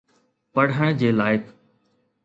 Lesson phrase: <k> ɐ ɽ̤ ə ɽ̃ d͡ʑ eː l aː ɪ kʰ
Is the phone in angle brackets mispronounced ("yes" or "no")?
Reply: yes